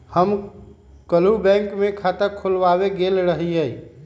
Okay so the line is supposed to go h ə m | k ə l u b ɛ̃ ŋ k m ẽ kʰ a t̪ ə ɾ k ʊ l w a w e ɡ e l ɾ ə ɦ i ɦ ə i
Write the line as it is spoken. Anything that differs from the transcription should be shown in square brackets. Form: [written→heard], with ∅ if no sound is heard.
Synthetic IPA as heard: h ə m | k ə l u b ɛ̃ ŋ k m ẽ kʰ a t̪ ə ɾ [k→kʰ] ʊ l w a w e ɡ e l ɾ ə ɦ i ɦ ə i